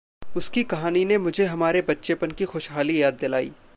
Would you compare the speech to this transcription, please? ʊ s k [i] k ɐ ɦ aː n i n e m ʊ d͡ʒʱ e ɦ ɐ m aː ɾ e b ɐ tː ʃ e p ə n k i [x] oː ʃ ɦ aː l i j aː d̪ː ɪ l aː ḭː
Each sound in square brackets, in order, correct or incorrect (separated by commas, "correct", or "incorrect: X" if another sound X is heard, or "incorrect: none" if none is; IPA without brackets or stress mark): correct, correct